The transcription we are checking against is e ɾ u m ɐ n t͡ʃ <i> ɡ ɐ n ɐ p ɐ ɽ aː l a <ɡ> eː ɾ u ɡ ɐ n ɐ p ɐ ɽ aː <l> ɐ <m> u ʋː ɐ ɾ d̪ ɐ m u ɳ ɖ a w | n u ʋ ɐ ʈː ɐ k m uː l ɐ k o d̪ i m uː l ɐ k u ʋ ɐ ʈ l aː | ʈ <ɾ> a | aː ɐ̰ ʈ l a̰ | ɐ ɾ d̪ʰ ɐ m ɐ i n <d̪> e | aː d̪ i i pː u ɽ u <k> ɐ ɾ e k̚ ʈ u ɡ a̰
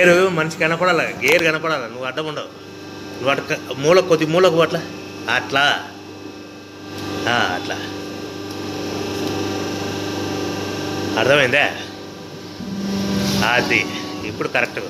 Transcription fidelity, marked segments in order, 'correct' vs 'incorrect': correct, correct, correct, incorrect, incorrect, correct, correct

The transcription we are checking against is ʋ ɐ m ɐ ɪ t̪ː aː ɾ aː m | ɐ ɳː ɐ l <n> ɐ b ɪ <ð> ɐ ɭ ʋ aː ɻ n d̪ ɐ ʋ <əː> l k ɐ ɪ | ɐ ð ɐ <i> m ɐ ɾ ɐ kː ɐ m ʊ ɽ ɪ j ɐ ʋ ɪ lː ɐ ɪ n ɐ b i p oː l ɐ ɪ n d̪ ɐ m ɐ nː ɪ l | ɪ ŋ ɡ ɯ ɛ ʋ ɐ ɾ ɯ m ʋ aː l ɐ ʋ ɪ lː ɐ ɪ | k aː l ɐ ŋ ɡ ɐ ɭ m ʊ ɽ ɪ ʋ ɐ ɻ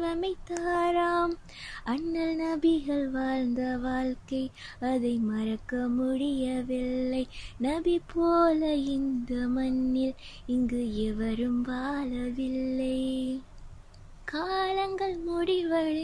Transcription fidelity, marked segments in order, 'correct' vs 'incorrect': correct, incorrect, incorrect, incorrect

